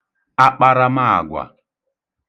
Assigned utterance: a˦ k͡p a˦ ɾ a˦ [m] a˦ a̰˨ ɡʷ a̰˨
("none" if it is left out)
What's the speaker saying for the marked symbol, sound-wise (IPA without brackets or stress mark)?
m